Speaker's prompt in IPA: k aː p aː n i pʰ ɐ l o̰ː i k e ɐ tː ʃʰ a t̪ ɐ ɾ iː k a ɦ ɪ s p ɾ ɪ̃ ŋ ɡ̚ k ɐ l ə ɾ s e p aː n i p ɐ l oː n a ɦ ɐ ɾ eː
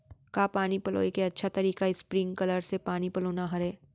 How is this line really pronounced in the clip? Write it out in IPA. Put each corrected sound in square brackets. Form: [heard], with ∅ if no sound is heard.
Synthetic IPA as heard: k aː p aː n i [p] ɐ l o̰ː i k e ɐ tː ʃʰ a t̪ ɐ ɾ iː k a [∅] ɪ s p ɾ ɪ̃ ŋ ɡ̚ k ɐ l ə ɾ s e p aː n i p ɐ l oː n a ɦ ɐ ɾ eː